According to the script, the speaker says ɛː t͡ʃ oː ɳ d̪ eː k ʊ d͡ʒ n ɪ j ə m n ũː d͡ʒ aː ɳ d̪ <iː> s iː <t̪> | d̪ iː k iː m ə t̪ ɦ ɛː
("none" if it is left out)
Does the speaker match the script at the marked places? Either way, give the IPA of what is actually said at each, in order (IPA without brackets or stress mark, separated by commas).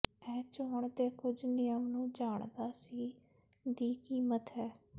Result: aː, none